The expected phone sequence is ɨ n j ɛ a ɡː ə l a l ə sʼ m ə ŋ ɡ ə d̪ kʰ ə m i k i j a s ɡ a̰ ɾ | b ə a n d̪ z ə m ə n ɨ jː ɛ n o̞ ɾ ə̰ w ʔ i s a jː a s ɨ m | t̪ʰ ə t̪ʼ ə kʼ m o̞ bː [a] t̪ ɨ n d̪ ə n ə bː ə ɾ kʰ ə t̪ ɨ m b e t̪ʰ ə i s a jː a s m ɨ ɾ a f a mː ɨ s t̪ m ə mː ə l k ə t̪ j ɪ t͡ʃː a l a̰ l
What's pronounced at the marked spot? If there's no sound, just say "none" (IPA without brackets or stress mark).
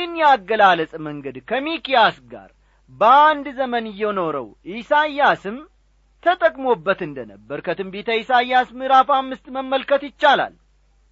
ə